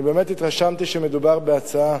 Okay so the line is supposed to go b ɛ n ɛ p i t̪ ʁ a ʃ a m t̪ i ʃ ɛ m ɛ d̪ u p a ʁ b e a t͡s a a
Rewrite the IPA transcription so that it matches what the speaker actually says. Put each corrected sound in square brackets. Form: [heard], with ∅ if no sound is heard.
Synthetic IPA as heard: b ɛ [m] ɛ [t] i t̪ ʁ a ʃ a m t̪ i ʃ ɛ m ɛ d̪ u [b] a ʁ b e a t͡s a a